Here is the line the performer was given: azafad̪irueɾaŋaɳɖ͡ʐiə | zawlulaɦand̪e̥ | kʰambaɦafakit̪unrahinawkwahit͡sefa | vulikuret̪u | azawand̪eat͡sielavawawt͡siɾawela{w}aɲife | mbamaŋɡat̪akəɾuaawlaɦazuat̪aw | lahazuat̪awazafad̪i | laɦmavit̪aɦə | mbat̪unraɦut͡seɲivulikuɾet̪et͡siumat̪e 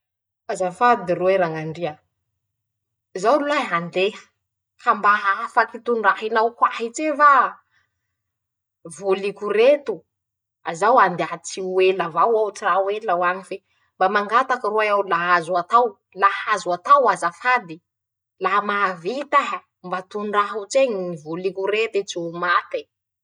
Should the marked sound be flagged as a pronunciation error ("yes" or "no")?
no